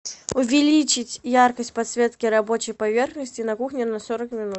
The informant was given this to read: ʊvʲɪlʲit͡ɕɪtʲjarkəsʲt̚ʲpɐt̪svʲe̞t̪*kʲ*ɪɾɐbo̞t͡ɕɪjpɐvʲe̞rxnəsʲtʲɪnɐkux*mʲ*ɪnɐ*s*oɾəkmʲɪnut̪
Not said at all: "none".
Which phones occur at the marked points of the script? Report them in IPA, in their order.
kʲ, nʲ, s

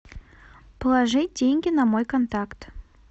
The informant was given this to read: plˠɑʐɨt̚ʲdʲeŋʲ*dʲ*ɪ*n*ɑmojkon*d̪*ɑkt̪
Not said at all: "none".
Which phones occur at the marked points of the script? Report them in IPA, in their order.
ɡʲ, n, t̪

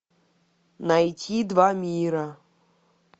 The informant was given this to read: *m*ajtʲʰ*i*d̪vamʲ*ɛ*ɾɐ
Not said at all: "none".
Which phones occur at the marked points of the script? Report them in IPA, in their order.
n, i, i

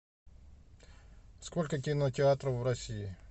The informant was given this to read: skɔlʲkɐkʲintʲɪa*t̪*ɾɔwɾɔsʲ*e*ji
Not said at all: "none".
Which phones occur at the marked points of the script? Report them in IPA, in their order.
t̪, i

